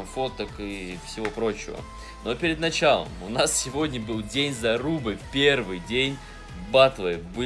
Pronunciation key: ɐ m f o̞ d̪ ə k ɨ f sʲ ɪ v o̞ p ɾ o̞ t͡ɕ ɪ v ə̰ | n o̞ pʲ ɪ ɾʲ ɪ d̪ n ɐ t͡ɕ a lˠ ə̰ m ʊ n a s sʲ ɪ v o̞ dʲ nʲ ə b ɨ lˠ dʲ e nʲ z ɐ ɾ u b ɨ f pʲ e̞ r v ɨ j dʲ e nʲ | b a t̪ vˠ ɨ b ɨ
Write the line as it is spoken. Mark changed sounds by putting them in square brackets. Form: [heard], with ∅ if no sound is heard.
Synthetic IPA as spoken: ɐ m f o̞ [t̪] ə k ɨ f sʲ ɪ v o̞ p ɾ o̞ t͡ɕ ɪ v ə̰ | n o̞ pʲ ɪ ɾʲ ɪ d̪ n ɐ t͡ɕ a lˠ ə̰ m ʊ n a s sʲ ɪ v o̞ dʲ nʲ ə b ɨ lˠ dʲ e nʲ z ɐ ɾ u b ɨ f pʲ e̞ r v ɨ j dʲ e nʲ | b a t̪ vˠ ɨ b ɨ